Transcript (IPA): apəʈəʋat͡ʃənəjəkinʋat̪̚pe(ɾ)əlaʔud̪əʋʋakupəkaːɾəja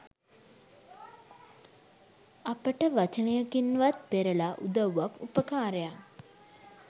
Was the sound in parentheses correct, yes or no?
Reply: yes